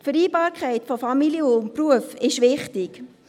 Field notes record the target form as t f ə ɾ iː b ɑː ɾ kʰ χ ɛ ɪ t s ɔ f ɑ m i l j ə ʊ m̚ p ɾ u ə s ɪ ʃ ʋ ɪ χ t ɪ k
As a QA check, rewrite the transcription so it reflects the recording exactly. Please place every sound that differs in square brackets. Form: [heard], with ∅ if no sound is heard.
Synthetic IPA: t f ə ɾ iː b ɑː ɾ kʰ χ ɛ ɪ t [f] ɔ f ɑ m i l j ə ʊ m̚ p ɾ u ə [f] ɪ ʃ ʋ ɪ χ t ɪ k